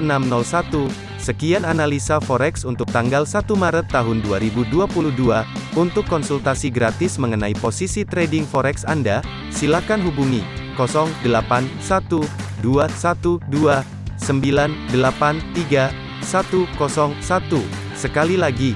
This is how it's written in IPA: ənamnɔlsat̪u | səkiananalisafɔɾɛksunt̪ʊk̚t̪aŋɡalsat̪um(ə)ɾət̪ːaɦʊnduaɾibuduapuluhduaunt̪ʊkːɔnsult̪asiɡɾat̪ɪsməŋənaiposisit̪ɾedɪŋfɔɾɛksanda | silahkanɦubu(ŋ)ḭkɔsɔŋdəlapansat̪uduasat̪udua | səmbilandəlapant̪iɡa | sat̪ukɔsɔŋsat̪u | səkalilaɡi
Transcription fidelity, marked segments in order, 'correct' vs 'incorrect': incorrect: a, correct

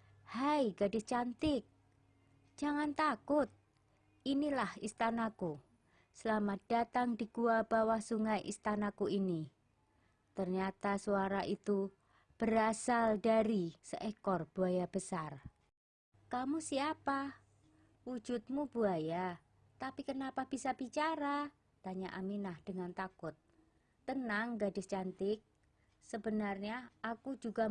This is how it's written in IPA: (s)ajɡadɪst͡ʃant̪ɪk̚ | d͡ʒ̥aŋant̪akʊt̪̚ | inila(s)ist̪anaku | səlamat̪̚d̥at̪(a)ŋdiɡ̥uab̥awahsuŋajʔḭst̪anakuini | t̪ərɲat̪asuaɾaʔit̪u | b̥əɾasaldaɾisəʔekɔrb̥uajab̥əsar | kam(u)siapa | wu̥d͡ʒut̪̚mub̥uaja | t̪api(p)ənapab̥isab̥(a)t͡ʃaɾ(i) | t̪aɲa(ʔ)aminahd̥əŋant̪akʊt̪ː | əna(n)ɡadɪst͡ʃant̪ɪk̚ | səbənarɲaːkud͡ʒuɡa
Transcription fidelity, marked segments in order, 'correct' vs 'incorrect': incorrect: h, incorrect: h, correct, correct, incorrect: k, incorrect: i, incorrect: a, correct, incorrect: ŋ

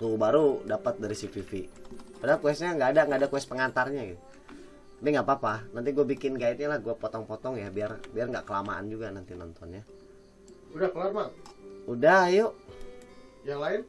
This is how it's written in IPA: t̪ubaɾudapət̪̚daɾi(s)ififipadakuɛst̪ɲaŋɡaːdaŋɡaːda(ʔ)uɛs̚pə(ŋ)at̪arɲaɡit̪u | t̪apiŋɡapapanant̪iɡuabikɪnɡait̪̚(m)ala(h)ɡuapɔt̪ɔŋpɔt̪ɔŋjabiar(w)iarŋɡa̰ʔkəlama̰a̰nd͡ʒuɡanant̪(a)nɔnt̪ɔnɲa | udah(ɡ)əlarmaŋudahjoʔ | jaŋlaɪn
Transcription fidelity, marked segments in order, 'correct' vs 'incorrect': correct, incorrect: k, correct, incorrect: ɲ, correct, incorrect: b, incorrect: i, incorrect: k

